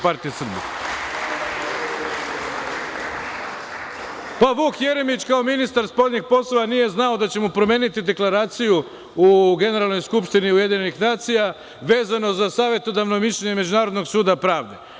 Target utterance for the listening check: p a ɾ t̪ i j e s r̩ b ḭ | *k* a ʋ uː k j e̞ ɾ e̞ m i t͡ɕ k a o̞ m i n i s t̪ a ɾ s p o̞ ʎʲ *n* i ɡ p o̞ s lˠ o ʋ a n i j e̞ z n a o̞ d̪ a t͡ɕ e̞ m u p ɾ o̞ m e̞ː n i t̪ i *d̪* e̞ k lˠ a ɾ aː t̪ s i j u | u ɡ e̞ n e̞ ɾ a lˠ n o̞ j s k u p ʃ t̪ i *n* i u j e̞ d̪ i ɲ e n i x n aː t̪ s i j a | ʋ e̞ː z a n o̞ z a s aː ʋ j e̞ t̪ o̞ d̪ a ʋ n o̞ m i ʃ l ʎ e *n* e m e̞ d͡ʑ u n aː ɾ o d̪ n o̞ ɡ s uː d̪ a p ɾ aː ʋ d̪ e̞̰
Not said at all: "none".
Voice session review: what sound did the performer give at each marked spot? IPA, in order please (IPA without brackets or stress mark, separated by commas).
p, ɲ, d̪, n, ɲ